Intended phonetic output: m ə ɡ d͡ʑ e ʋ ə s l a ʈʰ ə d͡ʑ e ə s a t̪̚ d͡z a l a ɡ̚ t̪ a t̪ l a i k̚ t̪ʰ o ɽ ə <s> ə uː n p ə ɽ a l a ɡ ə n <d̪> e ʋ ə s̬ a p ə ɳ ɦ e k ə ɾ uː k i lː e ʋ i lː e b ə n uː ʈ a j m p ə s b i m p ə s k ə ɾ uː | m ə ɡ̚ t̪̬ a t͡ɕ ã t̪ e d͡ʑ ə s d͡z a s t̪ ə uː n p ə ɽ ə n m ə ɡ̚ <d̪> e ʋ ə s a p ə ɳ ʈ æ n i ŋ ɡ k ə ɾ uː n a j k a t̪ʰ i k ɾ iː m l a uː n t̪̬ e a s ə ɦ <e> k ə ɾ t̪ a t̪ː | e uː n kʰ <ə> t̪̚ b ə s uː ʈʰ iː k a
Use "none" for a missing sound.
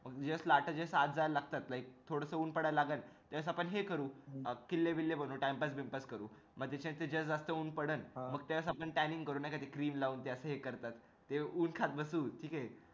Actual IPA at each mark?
s, t̪, t̪, e, a

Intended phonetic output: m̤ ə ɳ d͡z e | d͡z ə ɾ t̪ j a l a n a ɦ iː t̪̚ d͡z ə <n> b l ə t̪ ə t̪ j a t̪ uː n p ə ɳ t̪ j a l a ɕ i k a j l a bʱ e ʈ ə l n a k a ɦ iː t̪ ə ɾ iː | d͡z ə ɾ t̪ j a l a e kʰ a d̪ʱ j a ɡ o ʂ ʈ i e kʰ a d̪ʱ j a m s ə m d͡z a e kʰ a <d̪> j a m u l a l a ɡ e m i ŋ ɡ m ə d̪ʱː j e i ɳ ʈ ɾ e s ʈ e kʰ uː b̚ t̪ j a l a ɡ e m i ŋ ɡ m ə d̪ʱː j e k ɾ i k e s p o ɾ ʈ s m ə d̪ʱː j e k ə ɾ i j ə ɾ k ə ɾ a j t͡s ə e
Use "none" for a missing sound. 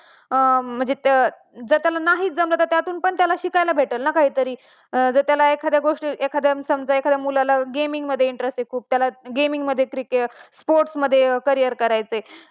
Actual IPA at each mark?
m, d̪

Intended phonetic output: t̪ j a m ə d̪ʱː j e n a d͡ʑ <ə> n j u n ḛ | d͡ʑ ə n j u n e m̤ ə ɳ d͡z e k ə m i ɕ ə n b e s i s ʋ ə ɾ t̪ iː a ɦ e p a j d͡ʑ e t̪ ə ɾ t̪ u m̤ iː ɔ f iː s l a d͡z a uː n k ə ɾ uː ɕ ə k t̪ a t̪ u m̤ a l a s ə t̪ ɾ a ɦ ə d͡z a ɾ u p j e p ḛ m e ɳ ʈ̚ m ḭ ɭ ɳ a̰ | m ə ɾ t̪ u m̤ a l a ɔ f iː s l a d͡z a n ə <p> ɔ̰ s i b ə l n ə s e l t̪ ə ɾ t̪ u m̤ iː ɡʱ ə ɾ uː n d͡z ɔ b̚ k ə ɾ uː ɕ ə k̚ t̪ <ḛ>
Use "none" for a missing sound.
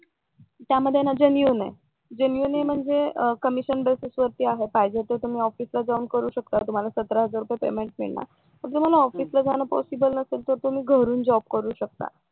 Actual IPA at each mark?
ə, p, a̰

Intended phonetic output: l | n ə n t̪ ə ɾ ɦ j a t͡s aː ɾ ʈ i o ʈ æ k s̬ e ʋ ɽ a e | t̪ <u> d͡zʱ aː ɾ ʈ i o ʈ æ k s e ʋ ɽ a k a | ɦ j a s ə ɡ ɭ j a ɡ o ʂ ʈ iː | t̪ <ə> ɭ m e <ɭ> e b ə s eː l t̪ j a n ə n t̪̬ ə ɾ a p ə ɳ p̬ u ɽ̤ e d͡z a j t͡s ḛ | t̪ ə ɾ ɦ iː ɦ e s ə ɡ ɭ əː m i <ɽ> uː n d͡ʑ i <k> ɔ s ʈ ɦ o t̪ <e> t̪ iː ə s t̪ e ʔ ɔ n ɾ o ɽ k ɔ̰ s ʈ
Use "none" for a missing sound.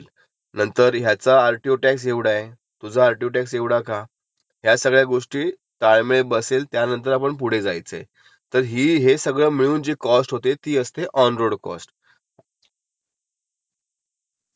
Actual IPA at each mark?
u, a, ɭ, ɭ, k, e

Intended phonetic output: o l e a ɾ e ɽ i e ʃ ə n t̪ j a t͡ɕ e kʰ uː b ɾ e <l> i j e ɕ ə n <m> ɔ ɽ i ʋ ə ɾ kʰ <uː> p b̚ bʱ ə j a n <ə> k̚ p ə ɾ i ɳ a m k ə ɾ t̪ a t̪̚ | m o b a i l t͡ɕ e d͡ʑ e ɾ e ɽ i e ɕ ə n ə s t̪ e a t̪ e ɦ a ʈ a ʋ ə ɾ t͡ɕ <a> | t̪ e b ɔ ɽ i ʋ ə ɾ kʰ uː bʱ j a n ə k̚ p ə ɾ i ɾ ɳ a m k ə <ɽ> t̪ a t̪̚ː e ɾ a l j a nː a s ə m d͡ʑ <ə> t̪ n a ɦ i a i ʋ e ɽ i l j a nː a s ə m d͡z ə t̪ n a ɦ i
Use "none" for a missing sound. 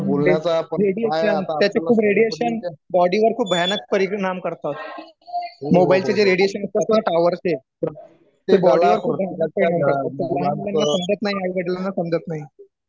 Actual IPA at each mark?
ɽ, b, uː, ə, e, ɾ, ə

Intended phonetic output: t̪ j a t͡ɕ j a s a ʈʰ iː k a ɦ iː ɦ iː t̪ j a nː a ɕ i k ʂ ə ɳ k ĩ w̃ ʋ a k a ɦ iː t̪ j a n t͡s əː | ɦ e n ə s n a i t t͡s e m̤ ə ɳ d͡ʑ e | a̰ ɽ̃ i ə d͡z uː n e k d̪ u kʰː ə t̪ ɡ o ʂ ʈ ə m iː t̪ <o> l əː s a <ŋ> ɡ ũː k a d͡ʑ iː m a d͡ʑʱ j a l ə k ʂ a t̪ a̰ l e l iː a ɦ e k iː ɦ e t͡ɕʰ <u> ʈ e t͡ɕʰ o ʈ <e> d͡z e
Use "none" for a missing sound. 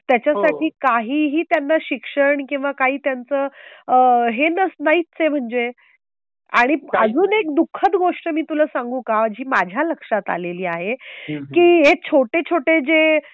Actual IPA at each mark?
u, ŋ, o, e

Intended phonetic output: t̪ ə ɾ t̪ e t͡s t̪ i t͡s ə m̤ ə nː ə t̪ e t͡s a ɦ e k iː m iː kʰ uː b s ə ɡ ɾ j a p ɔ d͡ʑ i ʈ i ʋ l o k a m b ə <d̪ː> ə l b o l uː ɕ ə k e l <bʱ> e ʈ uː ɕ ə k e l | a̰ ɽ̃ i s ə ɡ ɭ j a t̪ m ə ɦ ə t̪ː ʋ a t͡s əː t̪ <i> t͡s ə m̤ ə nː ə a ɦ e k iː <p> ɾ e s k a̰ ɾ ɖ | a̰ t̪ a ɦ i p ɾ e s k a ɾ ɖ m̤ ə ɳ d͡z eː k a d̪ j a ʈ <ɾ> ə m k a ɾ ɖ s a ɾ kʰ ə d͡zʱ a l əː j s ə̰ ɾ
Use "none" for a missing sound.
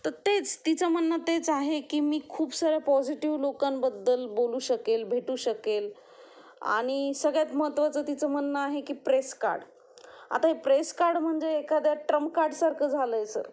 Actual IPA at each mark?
d̪ː, bʱ, i, p, ɾ

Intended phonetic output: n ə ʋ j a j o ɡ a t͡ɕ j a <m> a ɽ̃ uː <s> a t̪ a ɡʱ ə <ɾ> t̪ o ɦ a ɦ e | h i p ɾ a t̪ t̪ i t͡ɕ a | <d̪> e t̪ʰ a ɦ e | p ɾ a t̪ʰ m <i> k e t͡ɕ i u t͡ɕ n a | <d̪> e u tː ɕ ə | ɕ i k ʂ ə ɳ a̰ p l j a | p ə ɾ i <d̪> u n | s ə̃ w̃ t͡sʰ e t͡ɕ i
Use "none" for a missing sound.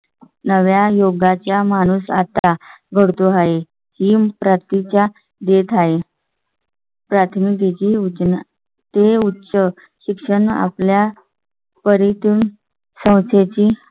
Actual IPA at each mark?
m, s, ɽ, d̪, i, t̪, t̪

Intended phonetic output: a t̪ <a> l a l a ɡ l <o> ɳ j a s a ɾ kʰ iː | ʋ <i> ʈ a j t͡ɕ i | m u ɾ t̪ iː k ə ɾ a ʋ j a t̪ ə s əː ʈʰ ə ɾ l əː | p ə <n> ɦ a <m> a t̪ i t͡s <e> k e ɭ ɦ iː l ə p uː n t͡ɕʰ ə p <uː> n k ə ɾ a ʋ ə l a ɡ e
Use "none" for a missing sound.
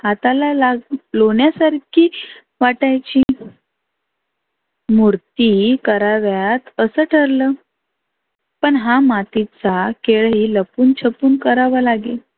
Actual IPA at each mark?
a, o, a, ɳ, m, a, uː

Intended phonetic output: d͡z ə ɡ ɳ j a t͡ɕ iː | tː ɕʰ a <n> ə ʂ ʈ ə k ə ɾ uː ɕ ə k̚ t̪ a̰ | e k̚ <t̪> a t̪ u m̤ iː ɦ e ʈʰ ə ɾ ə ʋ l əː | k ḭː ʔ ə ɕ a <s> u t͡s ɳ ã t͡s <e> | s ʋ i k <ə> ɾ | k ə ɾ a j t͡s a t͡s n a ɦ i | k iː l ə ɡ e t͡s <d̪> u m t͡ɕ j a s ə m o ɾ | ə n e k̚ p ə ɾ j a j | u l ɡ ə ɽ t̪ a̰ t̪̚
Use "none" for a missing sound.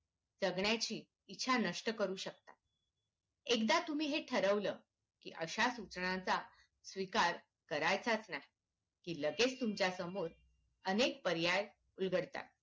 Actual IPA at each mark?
n, d̪, s, a, a, t̪

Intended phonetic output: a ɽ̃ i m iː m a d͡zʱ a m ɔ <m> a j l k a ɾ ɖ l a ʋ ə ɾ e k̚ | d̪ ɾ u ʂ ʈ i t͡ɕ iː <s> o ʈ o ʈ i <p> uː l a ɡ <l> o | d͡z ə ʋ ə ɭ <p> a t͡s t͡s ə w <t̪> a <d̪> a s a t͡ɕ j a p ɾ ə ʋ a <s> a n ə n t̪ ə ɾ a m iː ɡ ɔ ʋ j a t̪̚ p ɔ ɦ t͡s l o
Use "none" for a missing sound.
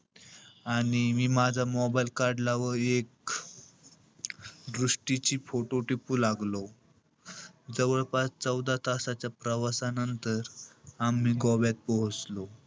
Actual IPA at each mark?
b, f, p, l, p, d̪, t̪, s

